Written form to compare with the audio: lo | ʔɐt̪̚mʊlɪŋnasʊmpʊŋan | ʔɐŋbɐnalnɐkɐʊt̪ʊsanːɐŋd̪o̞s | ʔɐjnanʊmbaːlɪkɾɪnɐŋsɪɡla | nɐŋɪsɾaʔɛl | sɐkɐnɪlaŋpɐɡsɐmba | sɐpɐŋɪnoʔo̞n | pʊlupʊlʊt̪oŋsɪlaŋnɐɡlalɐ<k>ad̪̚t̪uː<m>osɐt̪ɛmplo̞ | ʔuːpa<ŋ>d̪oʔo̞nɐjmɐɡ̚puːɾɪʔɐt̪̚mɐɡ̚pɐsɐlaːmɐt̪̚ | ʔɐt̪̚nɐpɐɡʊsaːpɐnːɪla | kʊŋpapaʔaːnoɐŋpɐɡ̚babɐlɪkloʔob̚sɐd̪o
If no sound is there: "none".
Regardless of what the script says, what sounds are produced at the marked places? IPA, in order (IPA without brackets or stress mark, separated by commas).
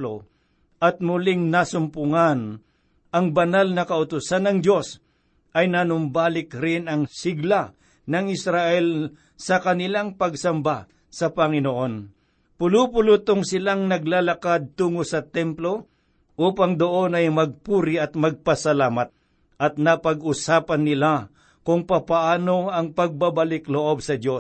k, ŋ, ŋ